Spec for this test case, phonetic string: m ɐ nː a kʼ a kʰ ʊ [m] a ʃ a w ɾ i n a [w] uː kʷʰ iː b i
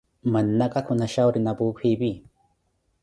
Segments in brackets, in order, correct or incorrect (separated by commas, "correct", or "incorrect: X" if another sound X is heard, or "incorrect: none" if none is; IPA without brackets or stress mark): incorrect: n, incorrect: b